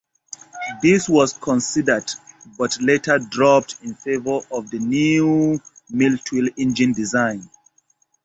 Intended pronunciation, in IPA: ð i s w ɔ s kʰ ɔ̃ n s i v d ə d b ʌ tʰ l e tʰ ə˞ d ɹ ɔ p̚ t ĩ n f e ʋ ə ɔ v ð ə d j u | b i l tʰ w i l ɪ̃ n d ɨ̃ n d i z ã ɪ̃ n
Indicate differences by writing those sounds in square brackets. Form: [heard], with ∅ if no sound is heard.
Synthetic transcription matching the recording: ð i s w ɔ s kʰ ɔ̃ n s i [∅] d ə d b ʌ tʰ l e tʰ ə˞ d ɹ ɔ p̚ t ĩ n f e [v] ə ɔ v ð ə [n] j u | [m] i l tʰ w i l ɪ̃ n [d͡ʒ] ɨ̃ n d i z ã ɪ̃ n